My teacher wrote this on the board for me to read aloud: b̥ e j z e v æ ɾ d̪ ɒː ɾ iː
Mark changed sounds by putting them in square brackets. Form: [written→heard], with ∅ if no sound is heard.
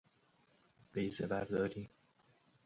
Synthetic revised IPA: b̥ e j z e [v→b] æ ɾ d̪ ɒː ɾ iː

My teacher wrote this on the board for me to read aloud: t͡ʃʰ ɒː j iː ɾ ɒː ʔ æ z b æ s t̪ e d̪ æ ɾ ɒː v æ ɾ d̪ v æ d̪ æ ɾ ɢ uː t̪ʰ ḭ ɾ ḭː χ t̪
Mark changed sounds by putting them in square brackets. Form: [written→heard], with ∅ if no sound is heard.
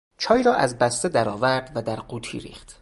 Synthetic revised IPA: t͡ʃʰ ɒː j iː ɾ ɒː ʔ æ z b æ s t̪ e d̪ æ ɾ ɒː v æ ɾ d̪ v æ d̪ æ ɾ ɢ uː t̪ʰ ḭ ɾ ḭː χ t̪

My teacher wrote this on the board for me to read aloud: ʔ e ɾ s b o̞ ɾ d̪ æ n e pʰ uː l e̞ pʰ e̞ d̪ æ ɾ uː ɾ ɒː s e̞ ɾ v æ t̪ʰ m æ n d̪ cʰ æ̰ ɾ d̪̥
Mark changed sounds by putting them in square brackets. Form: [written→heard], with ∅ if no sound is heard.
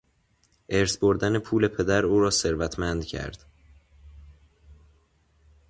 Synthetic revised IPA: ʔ e ɾ s b o̞ ɾ d̪ æ n e pʰ uː l e̞ pʰ e̞ d̪ æ ɾ uː ɾ ɒː s e̞ ɾ v æ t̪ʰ m æ n d̪ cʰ æ̰ ɾ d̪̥

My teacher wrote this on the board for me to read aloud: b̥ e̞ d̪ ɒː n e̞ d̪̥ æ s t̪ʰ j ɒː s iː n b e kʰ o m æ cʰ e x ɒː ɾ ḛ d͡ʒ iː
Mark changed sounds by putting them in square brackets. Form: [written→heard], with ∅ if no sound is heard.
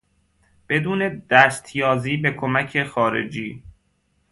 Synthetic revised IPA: b̥ e̞ d̪ [ɒː→uː] n e̞ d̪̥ æ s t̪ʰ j ɒː [s→z] iː [n→∅] b e kʰ o m æ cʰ e x ɒː ɾ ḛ d͡ʒ iː

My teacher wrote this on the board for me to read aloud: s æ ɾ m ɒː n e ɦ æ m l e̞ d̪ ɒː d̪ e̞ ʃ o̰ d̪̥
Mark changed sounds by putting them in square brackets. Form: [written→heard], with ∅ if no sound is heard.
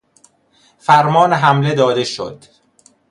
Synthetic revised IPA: [s→f] æ ɾ m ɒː n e ɦ æ m l e̞ d̪ ɒː d̪ e̞ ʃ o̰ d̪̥

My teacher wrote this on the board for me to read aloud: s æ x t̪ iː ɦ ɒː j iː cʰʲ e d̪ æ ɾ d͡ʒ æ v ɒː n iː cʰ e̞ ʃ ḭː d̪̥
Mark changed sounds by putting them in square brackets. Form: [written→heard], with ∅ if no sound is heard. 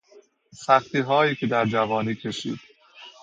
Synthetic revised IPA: s æ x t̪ iː ɦ ɒː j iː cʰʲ e d̪ æ ɾ d͡ʒ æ v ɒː n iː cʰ e̞ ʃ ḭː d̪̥

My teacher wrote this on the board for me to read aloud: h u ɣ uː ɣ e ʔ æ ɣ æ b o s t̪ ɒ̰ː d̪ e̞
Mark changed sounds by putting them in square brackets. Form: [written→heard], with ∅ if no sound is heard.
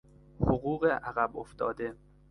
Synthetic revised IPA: h [u→o] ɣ uː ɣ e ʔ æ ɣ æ b o [s→f] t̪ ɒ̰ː d̪ e̞

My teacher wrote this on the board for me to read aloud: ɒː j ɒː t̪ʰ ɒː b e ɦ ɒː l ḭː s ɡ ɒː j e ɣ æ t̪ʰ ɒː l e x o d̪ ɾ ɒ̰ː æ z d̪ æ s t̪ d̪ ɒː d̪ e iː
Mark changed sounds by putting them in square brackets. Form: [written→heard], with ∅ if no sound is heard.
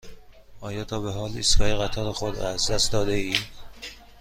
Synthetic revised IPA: ɒː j ɒː t̪ʰ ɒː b e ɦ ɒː l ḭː s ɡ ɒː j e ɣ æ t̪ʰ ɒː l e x o d̪ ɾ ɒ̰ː æ z d̪ æ s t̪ d̪ ɒː d̪ e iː

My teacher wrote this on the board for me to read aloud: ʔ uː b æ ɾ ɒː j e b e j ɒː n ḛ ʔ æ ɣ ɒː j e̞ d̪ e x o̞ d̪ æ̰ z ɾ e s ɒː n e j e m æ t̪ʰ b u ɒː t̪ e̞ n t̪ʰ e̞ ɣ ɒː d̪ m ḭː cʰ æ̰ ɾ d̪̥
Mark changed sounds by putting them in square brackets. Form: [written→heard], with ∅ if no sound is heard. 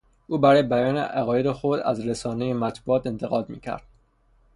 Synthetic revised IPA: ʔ uː b æ ɾ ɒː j e b [e→æ] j ɒː n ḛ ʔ æ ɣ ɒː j e̞ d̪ e x o̞ d̪ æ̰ z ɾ e s ɒː n e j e m æ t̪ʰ b u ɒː t̪ e̞ n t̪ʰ e̞ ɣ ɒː d̪ m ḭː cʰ æ̰ ɾ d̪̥

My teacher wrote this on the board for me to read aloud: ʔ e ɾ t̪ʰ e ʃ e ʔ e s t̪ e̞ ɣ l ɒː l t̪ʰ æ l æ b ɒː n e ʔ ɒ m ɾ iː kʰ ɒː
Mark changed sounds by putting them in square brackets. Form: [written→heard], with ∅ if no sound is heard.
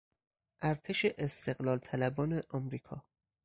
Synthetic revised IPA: ʔ [e→æ] ɾ t̪ʰ e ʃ e ʔ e s t̪ e̞ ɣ l ɒː l t̪ʰ æ l æ b ɒː n e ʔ ɒ m ɾ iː kʰ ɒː

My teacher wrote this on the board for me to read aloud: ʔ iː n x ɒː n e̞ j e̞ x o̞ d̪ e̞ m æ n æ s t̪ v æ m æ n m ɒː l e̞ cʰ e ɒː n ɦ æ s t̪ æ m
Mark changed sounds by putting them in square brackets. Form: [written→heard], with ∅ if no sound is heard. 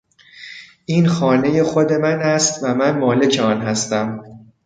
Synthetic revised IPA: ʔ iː n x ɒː n e̞ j e̞ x o̞ d̪ e̞ m æ n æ s t̪ v æ m æ n m ɒː l e̞ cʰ e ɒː n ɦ æ s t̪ æ m

